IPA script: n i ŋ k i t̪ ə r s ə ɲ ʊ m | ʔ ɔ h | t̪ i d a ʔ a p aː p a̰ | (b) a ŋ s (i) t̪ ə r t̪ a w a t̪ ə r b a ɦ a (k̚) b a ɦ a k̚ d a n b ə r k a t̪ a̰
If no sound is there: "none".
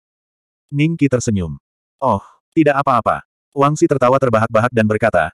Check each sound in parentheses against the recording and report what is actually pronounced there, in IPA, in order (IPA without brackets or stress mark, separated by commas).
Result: w, i, k̚